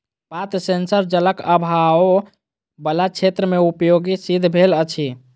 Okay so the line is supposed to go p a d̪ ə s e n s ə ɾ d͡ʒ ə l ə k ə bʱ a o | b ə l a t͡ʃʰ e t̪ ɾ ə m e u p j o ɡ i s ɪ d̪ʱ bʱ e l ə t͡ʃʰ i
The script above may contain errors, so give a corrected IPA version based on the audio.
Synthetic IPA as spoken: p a t̪ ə s e n s ə ɾ d͡ʒ ə l ə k ə bʱ a o | b ə l a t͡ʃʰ e t̪ ɾ ə m e u p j o ɡ i s i d̪ʱ bʱ e l ə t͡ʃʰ i